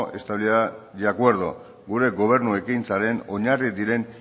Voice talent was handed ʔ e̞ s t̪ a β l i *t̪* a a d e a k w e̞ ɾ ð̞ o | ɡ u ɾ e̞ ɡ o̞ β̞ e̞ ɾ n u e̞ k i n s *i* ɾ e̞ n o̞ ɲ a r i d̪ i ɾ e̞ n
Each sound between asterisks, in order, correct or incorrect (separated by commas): incorrect, incorrect